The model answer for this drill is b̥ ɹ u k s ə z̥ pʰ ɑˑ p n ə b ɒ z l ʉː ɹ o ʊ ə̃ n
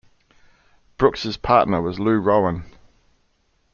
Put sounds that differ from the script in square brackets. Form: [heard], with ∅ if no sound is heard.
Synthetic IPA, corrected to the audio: b̥ ɹ [ʊ] k s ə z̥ pʰ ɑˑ [ʔ] n ə [w] ɒ z l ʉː ɹ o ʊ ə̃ n